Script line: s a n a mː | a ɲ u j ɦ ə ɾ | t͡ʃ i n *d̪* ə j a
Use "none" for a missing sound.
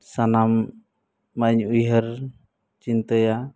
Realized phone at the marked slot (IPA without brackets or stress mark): t̪